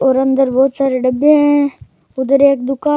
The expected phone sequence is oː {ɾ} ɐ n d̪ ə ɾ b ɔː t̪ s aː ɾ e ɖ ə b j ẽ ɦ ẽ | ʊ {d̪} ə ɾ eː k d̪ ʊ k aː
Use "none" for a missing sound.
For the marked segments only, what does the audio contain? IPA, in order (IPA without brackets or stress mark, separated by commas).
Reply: ɾ, d̪